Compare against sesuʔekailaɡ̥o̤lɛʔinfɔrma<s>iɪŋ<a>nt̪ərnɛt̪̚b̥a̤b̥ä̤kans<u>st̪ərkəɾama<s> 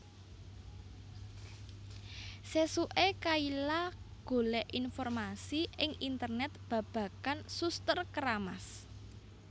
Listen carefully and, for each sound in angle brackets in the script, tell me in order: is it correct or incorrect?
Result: correct, incorrect: i, correct, correct

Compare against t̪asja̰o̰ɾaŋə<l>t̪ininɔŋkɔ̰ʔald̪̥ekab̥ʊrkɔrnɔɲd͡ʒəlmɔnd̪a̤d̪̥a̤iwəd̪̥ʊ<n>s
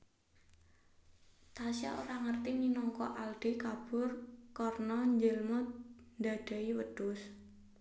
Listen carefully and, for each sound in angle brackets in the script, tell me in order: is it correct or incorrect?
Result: incorrect: r, incorrect: none

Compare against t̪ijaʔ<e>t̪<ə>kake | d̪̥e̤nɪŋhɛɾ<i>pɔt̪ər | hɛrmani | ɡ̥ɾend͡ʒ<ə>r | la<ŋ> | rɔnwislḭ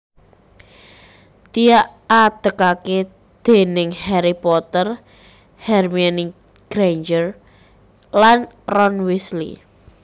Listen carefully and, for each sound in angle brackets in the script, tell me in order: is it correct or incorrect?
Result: incorrect: a, correct, correct, correct, incorrect: n

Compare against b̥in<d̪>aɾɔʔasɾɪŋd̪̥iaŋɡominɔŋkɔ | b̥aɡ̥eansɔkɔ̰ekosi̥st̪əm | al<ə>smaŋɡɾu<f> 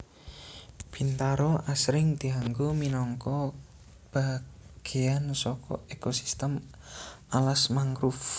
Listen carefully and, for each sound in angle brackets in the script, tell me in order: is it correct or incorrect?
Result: incorrect: t̪, incorrect: a, correct

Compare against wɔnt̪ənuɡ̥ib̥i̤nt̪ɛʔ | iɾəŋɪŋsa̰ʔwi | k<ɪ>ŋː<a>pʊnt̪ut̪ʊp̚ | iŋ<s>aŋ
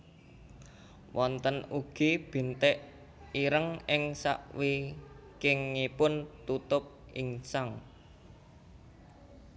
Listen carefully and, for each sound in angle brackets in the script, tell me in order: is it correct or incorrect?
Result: correct, incorrect: i, correct

